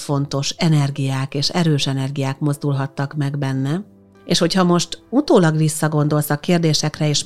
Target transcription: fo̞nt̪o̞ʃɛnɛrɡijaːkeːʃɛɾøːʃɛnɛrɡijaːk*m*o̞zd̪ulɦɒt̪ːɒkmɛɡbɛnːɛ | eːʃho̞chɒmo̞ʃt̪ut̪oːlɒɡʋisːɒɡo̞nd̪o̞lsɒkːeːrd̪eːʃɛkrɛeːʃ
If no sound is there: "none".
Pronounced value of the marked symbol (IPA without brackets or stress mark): m